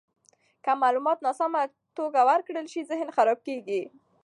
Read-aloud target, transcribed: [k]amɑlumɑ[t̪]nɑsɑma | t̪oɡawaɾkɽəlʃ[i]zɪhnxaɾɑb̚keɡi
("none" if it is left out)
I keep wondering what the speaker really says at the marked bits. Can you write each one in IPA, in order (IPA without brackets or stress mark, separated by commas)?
k, t̪, i